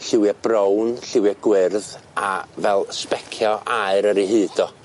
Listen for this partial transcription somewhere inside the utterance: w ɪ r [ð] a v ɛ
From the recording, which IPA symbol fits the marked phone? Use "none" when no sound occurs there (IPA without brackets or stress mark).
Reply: ð